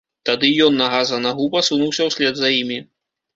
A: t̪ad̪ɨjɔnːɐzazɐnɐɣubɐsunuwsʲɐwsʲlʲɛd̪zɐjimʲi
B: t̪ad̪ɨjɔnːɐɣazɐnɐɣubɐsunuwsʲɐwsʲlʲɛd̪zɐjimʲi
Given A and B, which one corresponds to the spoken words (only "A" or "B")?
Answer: B